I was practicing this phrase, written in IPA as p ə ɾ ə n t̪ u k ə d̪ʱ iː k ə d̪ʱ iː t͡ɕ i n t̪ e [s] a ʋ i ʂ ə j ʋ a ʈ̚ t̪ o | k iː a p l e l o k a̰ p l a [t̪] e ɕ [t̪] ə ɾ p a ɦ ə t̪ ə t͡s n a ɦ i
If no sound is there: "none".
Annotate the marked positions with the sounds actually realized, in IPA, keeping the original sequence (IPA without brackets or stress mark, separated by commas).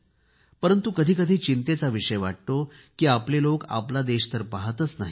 t͡s, d̪, t̪